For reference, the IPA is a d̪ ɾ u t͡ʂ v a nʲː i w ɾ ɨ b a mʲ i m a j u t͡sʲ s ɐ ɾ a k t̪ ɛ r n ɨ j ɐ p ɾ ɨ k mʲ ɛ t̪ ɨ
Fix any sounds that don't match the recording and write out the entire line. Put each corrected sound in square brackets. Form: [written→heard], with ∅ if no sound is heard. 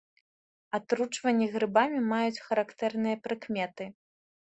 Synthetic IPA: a [d̪→t̪] ɾ u t͡ʂ v [a→ɐ] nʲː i [w→ɣ] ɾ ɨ b a mʲ i m a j u t͡sʲ [s→x] ɐ ɾ a k t̪ ɛ r n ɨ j ɐ p ɾ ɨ k mʲ ɛ t̪ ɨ